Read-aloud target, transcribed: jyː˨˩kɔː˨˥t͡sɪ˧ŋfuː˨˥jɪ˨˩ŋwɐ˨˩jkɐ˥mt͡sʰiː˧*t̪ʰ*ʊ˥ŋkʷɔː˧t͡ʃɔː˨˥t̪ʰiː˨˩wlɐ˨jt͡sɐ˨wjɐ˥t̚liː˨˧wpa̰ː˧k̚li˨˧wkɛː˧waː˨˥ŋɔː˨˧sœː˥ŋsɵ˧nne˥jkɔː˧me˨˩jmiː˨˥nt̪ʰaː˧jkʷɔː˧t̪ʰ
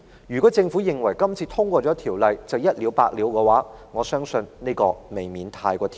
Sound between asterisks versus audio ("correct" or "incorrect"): correct